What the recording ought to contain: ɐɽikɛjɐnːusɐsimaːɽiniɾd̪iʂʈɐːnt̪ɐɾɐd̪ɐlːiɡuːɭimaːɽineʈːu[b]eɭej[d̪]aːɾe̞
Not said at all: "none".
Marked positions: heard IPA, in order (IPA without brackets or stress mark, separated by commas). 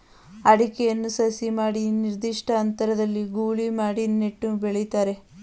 b, t̪